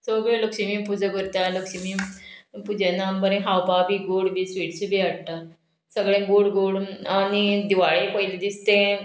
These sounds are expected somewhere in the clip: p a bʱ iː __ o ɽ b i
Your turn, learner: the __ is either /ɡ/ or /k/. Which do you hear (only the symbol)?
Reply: ɡ